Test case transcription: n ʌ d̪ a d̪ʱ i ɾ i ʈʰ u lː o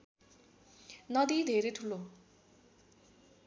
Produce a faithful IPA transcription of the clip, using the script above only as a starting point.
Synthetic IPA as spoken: n ʌ d̪ i d̪ʱ e ɾ e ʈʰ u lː o